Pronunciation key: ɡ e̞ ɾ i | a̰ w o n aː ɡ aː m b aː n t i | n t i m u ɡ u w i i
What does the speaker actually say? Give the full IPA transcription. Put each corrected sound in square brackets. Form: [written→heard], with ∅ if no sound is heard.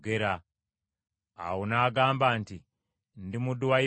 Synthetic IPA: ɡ e̞ ɾ [i→a] | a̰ w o n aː ɡ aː m b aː n t i | n [t→d] i m u [ɡ→d] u w [i→a] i